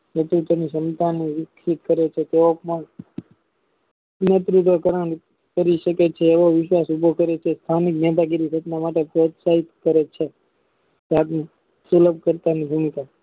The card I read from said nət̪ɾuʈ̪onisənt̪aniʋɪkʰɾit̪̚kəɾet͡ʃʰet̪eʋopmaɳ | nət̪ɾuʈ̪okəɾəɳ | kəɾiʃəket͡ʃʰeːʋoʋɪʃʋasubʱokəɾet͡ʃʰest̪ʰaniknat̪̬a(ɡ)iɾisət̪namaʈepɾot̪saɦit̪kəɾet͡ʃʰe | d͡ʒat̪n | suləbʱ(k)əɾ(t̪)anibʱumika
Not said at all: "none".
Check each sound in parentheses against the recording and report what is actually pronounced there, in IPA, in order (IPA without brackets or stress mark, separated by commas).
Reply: ɡ, k, t̪